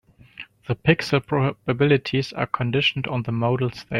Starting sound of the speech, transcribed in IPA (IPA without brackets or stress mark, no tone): ð